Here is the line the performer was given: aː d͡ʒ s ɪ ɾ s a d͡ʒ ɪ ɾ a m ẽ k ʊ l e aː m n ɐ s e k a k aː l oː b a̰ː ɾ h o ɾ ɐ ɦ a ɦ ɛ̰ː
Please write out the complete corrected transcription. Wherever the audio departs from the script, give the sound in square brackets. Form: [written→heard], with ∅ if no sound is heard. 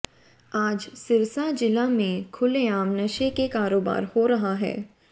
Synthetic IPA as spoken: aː d͡ʒ s ɪ ɾ s a d͡ʒ ɪ [ɾ→l] a m ẽ [k→kʰ] ʊ l e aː m n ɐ [s→ʃ] e k [a→e] k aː [l→ɾ] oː b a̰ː ɾ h o ɾ ɐ ɦ a ɦ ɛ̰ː